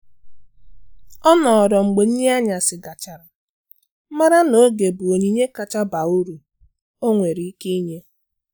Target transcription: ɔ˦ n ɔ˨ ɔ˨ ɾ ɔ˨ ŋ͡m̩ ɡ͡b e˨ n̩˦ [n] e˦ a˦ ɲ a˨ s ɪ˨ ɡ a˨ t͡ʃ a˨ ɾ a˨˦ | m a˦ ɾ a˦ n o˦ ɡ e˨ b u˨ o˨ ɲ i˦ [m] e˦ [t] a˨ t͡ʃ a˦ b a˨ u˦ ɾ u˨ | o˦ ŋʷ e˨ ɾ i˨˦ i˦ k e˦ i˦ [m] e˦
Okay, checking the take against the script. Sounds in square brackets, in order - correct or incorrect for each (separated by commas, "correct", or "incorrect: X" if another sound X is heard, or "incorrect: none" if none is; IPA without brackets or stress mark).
incorrect: ɲ, incorrect: ɲ, incorrect: k, incorrect: ɲ